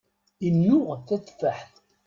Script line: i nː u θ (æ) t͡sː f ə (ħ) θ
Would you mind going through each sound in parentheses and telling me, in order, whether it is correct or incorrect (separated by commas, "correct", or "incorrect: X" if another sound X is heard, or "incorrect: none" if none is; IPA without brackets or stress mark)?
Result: correct, correct